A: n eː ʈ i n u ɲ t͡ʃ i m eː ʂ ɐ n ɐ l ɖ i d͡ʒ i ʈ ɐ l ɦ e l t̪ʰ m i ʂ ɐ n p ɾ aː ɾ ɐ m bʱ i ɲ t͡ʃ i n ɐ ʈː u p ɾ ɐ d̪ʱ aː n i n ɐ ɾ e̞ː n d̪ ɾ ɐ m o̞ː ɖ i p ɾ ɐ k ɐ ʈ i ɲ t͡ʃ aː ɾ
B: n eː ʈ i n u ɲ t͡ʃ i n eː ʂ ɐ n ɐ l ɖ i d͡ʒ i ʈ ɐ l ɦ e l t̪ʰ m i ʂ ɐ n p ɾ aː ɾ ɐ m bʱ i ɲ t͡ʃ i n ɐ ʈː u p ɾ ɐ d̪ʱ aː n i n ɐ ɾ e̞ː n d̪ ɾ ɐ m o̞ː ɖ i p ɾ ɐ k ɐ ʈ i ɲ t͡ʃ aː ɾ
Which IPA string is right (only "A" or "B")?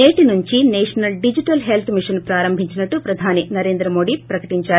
B